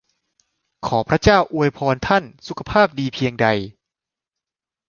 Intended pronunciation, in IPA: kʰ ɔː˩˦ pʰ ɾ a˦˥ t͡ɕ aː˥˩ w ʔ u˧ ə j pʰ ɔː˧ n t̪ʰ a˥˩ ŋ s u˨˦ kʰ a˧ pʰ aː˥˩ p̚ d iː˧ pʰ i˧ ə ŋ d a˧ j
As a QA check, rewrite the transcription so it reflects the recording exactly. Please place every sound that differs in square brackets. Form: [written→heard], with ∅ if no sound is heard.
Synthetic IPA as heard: kʰ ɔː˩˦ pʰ ɾ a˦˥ t͡ɕ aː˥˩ w ʔ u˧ ə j pʰ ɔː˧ n t̪ʰ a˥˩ [ŋ→n] s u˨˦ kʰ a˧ pʰ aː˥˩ p̚ d iː˧ pʰ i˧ ə ŋ d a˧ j